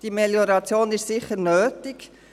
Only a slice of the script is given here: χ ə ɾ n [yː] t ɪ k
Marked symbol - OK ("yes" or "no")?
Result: no